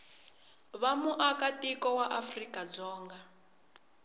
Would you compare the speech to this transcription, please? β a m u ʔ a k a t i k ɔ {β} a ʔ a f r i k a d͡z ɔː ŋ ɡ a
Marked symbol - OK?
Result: no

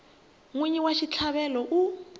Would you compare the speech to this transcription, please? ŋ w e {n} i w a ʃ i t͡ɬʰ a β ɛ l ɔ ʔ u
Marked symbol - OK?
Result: no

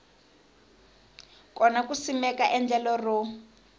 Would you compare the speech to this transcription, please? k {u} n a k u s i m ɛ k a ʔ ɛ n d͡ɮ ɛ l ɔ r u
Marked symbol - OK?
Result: no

